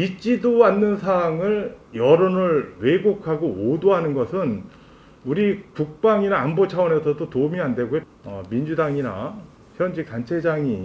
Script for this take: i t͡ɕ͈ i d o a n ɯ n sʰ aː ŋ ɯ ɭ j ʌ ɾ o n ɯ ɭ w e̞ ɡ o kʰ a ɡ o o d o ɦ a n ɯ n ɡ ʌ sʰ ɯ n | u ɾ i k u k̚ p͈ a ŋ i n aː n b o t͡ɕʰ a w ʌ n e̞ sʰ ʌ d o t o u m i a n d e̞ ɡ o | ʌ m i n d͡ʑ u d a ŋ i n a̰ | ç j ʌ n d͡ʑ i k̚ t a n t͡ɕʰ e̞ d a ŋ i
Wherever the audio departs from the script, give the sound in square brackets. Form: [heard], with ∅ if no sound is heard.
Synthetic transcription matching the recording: i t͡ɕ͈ i d o a [nː] ɯ n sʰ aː ŋ ɯ ɭ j ʌ ɾ o n ɯ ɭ w e̞ ɡ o kʰ a ɡ o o d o ɦ a n ɯ n ɡ ʌ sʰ ɯ n | u ɾ i k u k̚ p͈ a ŋ i n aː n b o t͡ɕʰ a w ʌ n e̞ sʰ ʌ d o t o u m i a n d e̞ ɡ o | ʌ m i n d͡ʑ u d a ŋ i n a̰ | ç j ʌ n d͡ʑ i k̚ t a n t͡ɕʰ e̞ [d͡ʑ] a ŋ i